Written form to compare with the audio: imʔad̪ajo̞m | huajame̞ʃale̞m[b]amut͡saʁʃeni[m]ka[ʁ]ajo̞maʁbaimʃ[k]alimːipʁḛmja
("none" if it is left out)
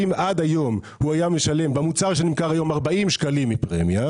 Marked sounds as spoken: b, m, ʁ, k

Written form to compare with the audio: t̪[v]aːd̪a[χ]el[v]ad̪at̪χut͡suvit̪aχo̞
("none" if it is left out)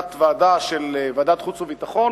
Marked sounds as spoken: v, ʃ, v

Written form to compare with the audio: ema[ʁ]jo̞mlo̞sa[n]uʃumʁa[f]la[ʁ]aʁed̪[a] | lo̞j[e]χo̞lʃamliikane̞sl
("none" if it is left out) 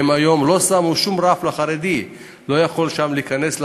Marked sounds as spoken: none, m, f, χ, i, a

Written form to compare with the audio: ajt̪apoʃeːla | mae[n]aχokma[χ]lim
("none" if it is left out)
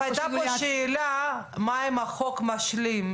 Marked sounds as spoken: m, ʃ

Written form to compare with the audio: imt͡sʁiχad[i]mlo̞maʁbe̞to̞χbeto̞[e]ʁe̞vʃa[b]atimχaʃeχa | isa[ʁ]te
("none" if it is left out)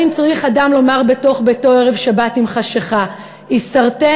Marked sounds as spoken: a, e, b, ʁ

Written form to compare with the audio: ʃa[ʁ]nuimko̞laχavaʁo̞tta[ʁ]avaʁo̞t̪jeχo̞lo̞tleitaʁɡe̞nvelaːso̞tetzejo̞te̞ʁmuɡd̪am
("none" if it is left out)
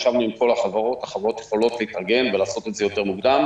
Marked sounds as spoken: v, χ

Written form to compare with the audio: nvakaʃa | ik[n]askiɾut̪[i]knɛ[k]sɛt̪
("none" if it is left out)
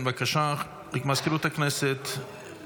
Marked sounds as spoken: m, a, none

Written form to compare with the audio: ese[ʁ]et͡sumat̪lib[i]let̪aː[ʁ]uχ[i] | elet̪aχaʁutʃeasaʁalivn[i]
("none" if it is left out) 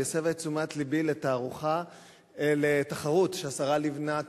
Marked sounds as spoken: v, i, ʁ, a, a

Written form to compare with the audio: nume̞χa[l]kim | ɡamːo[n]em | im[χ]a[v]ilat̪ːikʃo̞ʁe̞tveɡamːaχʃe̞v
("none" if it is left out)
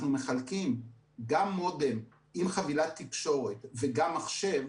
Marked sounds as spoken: l, d, χ, v

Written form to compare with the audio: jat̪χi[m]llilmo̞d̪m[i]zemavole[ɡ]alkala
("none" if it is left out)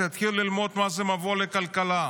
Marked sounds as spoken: none, a, k

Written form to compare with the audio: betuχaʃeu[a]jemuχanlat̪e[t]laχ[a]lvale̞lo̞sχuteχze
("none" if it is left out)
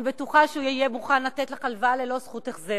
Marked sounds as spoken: i, t, a

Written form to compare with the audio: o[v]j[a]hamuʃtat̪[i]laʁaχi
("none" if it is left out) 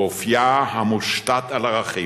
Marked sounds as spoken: f, a, a

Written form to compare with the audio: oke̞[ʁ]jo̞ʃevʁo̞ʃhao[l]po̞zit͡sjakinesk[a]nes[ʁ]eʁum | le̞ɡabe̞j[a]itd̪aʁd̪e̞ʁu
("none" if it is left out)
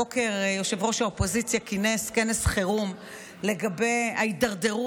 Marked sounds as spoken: ʁ, none, e, χ, a

